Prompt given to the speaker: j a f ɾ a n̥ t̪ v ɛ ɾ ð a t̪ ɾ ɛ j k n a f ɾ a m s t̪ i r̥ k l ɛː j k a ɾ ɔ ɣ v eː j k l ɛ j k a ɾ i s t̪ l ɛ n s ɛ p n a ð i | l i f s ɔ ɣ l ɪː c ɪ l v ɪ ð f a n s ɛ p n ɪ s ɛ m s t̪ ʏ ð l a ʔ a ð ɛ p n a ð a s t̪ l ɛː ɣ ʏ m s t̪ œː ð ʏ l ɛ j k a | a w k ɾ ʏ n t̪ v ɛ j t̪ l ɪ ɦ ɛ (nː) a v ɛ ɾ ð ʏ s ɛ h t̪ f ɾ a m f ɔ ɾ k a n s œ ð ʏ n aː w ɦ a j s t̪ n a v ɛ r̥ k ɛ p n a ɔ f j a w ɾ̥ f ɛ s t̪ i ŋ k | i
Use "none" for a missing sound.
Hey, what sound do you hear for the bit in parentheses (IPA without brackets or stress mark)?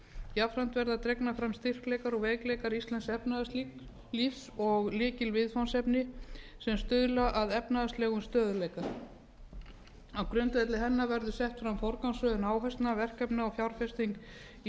nː